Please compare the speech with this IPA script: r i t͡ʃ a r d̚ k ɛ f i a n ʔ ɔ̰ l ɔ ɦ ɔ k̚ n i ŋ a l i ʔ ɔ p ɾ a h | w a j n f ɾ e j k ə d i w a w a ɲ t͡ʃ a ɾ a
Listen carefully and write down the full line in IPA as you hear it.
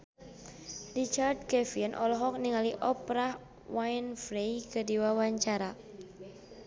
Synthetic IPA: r i t͡ʃ a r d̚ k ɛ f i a n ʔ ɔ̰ l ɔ ɦ ɔ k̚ n i ŋ a l i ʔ ɔ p ɾ a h | w a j n f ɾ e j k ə d i w a w a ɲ t͡ʃ a ɾ a